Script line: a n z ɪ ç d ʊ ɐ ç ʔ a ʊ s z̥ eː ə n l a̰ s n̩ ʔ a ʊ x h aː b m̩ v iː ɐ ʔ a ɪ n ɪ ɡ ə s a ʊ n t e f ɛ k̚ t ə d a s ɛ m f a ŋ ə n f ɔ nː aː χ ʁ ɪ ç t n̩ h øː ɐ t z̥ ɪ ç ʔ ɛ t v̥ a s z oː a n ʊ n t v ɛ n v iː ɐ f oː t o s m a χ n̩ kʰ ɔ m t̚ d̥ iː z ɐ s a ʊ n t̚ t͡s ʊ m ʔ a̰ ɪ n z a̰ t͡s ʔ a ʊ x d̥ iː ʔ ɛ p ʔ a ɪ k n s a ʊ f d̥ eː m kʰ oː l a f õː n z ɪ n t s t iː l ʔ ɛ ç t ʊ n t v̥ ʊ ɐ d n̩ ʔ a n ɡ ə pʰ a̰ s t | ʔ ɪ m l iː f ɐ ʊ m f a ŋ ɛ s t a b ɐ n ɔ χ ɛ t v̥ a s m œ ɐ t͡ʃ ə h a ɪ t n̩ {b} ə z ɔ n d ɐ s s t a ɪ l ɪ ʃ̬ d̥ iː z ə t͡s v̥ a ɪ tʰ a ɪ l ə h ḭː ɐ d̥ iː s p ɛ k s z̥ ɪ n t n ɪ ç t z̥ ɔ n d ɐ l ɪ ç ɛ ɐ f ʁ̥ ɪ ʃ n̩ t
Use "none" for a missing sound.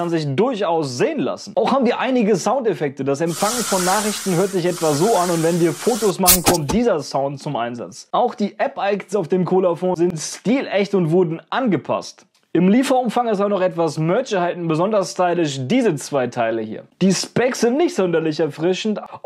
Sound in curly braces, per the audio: b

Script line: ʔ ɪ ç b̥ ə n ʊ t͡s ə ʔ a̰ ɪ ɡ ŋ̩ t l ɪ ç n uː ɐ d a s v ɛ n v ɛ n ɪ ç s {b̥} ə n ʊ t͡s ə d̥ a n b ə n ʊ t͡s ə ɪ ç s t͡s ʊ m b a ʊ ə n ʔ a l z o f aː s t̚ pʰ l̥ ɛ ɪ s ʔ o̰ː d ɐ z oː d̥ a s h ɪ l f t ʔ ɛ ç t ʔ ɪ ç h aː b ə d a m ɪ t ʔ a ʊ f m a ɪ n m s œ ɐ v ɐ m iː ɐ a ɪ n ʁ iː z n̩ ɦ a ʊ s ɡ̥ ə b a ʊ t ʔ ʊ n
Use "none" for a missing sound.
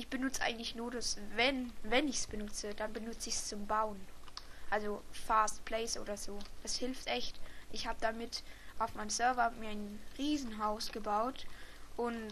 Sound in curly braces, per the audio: b̥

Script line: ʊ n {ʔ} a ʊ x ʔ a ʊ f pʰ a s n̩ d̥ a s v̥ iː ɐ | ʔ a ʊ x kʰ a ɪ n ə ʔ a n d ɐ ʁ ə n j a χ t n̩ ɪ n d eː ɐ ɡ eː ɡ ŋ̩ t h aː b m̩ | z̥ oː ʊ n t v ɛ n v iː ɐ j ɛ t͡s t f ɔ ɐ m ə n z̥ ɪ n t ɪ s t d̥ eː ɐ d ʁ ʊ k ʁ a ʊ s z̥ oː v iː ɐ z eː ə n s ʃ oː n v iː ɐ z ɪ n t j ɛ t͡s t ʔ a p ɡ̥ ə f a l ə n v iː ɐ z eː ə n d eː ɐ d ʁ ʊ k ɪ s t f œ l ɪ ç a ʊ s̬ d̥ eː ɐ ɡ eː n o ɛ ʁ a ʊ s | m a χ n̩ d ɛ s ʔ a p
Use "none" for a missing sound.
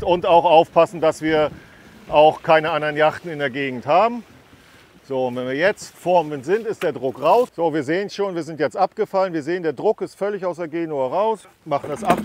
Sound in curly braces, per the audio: t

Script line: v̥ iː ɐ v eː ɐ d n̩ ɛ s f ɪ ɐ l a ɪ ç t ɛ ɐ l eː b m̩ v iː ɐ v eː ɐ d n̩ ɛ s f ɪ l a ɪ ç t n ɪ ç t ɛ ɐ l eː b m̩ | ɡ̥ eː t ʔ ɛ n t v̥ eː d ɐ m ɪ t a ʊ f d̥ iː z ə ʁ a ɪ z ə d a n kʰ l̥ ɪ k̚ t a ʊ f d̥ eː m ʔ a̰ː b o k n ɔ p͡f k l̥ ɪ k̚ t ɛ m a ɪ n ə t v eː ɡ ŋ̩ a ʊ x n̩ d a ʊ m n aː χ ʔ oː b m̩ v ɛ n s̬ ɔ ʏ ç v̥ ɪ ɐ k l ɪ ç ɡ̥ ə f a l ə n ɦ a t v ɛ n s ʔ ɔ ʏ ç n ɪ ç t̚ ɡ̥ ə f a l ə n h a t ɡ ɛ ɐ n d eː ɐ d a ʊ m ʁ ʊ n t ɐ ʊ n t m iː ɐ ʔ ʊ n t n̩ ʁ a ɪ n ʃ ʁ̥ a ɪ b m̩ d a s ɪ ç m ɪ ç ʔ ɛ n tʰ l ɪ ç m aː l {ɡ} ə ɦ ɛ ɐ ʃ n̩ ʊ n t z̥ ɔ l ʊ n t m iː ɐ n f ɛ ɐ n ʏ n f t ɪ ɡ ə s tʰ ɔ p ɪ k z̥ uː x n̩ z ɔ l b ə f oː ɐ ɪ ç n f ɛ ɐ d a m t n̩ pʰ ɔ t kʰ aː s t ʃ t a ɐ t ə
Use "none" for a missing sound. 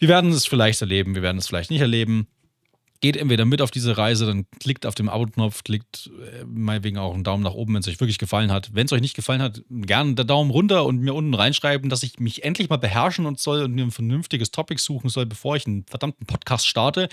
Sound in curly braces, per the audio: b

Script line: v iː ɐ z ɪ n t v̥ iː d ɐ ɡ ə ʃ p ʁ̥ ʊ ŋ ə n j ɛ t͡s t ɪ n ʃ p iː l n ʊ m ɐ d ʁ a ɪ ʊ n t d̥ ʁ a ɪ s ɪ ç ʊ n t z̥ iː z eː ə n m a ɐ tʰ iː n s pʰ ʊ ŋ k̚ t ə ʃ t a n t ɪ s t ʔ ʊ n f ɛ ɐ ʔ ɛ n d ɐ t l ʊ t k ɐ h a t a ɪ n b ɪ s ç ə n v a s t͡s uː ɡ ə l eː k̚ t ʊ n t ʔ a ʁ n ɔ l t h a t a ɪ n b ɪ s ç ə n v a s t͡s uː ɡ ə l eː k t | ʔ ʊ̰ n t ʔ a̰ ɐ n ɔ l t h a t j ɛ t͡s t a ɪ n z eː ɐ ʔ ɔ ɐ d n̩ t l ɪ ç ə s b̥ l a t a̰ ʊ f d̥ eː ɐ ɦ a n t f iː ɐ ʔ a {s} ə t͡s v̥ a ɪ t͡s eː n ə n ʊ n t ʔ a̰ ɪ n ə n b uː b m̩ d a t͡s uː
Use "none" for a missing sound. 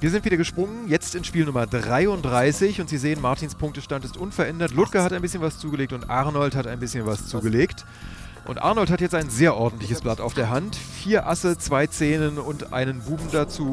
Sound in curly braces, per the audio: s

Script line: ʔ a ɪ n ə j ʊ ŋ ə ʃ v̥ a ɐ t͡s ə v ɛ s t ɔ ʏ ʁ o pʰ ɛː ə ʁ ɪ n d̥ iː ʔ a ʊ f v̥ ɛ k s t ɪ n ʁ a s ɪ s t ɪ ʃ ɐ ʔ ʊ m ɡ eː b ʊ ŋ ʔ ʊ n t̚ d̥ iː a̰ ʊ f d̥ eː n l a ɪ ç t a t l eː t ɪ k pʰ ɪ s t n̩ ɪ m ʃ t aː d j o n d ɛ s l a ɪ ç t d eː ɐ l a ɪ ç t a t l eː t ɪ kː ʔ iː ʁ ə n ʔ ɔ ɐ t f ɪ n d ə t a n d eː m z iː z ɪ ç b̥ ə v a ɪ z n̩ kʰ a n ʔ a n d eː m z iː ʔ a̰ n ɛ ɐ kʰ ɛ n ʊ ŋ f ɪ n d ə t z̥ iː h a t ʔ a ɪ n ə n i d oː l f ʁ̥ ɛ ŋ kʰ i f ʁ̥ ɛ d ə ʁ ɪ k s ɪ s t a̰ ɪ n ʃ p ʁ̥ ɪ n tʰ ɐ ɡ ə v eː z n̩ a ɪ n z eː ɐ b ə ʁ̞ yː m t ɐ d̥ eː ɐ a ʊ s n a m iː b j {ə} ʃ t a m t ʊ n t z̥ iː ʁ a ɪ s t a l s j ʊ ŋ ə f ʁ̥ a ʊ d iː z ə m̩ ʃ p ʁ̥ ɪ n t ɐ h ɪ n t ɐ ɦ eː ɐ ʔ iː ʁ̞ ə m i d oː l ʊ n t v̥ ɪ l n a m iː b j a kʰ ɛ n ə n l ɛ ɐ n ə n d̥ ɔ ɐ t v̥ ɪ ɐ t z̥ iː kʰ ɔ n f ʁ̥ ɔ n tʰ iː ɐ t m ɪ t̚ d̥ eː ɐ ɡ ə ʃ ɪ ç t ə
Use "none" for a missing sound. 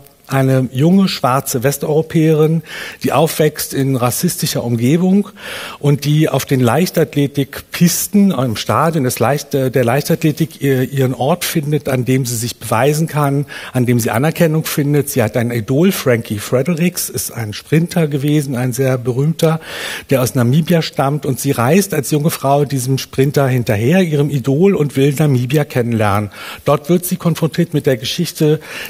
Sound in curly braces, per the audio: a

